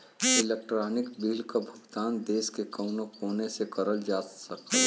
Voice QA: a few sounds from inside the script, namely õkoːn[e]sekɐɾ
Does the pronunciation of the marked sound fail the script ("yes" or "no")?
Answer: no